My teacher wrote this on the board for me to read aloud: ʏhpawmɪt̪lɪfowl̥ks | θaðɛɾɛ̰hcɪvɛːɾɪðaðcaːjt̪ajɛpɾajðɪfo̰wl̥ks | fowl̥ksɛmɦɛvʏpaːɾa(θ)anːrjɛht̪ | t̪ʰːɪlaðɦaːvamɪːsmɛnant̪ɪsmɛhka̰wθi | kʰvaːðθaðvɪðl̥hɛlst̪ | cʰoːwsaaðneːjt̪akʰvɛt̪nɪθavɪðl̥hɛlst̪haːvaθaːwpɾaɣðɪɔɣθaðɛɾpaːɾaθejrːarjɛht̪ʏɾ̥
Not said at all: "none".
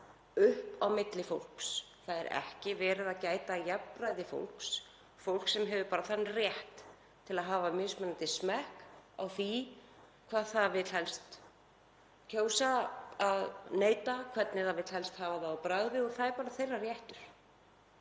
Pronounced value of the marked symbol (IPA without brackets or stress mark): θ